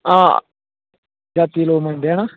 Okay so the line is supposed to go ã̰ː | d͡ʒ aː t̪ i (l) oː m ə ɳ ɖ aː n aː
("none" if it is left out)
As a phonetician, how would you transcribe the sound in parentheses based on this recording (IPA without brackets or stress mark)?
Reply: l